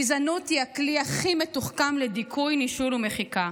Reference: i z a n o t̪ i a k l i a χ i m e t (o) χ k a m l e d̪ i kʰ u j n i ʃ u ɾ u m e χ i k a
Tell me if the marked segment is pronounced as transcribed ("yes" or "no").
no